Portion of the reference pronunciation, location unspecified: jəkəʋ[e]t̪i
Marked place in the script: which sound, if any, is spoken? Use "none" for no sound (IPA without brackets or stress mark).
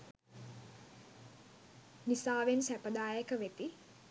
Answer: e